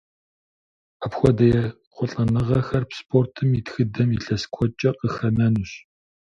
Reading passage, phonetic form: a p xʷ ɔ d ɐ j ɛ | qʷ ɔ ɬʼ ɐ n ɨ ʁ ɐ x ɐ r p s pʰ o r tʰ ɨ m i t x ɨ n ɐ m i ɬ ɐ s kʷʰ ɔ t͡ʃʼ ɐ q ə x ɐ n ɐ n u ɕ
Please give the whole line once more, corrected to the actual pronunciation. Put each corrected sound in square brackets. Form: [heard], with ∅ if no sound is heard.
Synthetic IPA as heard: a p xʷ ɔ d ɐ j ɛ | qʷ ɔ ɬʼ ɐ n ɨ ʁ ɐ x ɐ r p s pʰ o r tʰ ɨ m i t x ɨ [d] ɐ m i ɬ ɐ s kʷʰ ɔ t͡ʃʼ ɐ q ə x ɐ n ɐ n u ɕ